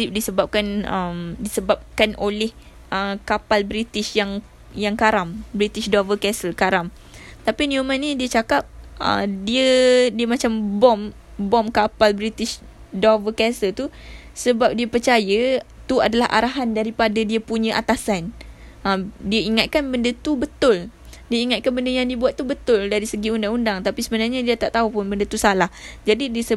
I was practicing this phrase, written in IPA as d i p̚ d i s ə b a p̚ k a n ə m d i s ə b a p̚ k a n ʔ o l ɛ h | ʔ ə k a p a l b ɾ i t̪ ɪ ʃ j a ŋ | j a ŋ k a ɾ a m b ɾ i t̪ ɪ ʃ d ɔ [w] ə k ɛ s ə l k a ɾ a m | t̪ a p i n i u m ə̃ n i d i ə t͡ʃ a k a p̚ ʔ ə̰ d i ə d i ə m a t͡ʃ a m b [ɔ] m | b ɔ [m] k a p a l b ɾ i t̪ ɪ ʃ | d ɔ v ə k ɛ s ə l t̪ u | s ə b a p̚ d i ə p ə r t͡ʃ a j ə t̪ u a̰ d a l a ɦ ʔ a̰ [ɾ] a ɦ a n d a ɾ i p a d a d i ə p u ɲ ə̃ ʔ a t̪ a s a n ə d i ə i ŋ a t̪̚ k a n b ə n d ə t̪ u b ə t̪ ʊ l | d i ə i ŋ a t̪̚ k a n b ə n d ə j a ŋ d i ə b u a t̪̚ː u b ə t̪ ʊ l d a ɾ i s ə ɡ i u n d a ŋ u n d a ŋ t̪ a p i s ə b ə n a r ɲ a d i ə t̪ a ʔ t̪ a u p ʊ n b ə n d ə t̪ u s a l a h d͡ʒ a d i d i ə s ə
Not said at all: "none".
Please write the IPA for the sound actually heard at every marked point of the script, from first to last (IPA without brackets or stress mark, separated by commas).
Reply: v, ɔ, m, ɾ